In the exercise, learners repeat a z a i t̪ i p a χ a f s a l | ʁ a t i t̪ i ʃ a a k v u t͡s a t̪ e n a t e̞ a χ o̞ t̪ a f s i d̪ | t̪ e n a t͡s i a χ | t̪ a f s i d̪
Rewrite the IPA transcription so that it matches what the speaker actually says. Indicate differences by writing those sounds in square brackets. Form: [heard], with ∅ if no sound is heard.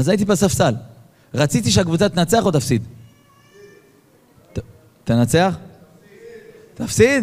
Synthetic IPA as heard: a z a i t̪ i p a [s] a f s a l | ʁ a [t͡s] i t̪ i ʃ [e] a k v u t͡s a t̪ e n a [t͡s] e̞ a χ o̞ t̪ a f s i d̪ | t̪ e n a t͡s [e] a χ | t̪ a f s i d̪